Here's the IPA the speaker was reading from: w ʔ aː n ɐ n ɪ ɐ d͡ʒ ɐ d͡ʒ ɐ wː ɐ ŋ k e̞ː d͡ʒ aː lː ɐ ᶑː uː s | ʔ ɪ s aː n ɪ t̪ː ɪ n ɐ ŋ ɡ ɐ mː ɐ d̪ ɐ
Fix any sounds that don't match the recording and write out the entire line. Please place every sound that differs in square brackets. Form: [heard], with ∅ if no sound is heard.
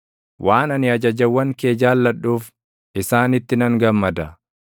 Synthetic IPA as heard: w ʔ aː n ɐ n ɪ ɐ d͡ʒ ɐ d͡ʒ ɐ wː ɐ ŋ k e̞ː d͡ʒ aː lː ɐ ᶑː uː [f] | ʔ ɪ s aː n ɪ t̪ː ɪ n ɐ ŋ ɡ ɐ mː ɐ d̪ ɐ